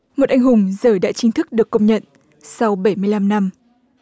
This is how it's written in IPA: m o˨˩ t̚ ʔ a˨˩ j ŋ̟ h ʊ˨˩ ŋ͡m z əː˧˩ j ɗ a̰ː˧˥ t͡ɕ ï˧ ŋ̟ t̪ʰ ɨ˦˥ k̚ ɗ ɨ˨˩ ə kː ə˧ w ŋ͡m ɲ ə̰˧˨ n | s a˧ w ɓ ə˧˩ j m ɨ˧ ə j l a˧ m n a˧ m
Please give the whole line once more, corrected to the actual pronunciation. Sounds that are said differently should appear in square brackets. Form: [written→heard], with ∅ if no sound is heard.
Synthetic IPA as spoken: m o˨˩ t̚ ʔ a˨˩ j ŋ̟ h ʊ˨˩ ŋ͡m z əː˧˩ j ɗ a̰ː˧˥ t͡ɕ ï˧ ŋ̟ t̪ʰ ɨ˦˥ k̚ ɗ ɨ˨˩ ə kː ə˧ w ŋ͡m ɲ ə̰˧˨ n | s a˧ w ɓ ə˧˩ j m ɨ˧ ə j l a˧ m n a˧ m